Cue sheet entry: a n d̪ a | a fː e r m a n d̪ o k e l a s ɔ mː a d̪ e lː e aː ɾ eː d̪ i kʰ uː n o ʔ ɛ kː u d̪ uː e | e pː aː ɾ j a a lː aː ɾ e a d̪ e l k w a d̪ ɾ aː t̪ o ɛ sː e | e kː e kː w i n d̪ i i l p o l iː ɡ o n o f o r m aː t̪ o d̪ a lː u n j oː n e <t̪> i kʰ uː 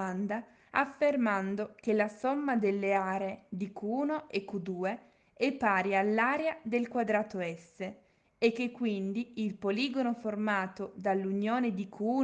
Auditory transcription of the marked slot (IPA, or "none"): d̪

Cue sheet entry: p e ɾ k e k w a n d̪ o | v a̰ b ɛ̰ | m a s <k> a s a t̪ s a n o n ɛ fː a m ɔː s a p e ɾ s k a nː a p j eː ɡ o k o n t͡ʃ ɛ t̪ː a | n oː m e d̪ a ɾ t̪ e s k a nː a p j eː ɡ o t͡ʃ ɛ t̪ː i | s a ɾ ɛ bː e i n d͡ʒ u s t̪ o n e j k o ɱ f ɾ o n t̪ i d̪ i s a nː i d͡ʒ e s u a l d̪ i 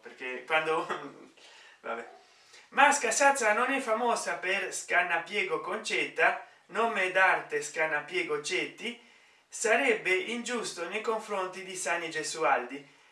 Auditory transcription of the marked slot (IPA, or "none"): k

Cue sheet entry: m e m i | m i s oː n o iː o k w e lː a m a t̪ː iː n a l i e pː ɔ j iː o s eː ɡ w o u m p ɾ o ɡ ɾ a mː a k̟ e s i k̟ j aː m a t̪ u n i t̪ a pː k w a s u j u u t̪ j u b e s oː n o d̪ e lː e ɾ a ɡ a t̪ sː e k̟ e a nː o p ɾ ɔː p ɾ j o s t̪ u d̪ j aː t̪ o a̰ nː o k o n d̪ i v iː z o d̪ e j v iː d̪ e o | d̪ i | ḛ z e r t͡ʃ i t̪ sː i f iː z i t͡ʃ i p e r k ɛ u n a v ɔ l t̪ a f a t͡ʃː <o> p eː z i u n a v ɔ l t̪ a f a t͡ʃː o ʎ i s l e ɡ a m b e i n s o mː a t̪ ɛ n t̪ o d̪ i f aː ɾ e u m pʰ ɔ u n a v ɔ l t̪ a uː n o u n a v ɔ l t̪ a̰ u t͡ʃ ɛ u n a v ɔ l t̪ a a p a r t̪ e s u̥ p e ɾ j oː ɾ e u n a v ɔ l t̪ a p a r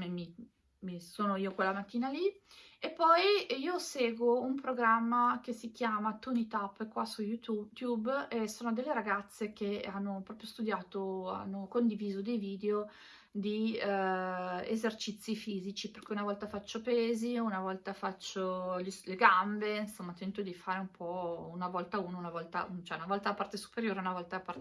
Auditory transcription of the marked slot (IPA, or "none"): o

